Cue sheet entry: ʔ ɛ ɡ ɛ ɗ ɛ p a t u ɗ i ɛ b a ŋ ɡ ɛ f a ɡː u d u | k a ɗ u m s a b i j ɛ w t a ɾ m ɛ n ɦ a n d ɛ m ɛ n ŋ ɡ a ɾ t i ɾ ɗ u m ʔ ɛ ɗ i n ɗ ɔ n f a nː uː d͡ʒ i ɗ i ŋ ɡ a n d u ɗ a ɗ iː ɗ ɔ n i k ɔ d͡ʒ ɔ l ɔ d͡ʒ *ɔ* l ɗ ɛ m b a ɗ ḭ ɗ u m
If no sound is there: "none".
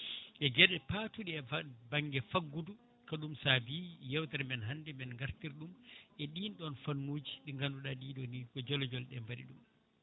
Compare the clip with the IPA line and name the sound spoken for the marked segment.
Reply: ɔ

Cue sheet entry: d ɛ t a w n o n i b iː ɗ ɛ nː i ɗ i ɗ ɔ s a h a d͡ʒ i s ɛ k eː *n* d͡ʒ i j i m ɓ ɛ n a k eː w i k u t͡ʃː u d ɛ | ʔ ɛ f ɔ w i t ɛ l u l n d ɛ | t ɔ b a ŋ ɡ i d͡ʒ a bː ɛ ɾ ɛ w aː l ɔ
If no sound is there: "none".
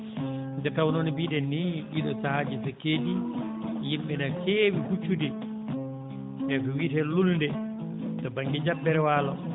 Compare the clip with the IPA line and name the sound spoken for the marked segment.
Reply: none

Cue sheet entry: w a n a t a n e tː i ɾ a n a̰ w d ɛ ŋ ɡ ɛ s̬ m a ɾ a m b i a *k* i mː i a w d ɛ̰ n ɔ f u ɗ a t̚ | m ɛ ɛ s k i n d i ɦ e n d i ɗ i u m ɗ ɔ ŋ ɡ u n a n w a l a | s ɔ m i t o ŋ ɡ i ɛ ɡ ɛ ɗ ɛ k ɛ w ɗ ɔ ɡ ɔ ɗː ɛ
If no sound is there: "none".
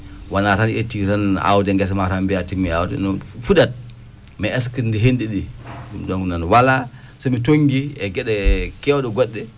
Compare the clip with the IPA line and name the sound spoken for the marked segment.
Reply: t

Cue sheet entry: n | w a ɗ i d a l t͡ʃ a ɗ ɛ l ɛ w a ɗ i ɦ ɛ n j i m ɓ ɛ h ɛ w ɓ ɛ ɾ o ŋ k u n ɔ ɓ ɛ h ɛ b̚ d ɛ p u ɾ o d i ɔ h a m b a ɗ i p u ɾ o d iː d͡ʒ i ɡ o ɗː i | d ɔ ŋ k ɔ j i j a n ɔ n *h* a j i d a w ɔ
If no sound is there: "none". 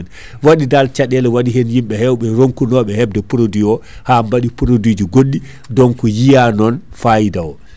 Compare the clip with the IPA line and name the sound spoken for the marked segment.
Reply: f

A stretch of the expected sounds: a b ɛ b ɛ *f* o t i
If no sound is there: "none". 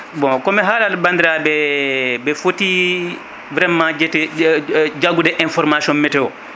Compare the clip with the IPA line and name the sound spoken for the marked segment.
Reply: f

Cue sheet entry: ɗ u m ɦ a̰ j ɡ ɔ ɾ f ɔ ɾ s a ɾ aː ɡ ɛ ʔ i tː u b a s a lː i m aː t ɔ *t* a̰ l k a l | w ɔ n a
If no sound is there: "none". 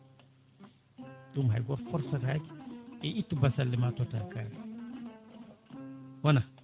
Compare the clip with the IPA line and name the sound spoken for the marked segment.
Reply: t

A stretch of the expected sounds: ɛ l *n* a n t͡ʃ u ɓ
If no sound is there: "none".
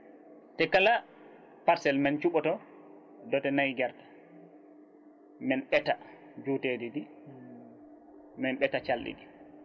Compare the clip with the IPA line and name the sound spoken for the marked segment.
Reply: m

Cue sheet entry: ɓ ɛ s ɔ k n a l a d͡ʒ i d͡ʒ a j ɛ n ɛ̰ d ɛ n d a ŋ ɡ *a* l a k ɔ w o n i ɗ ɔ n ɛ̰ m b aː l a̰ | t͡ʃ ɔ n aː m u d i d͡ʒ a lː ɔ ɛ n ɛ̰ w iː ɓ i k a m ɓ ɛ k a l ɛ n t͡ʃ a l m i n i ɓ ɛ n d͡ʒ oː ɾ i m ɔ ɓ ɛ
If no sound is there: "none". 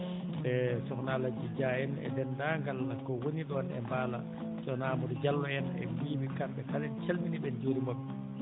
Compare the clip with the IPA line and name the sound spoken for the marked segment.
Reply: a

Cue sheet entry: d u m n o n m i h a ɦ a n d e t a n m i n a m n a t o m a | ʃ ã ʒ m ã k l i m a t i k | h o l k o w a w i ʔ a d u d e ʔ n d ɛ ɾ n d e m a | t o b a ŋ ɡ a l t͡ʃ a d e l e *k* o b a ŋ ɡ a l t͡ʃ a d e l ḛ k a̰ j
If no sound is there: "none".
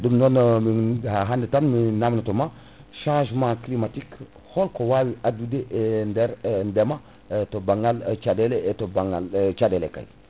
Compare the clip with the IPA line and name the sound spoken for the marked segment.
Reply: t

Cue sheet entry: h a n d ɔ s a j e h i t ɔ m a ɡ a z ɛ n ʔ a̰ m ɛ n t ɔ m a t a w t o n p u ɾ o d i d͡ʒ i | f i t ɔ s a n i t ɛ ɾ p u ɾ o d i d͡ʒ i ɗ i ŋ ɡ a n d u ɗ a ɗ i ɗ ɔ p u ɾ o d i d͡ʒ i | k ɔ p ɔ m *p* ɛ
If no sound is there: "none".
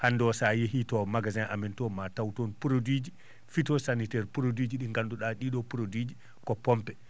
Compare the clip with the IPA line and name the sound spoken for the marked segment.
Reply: p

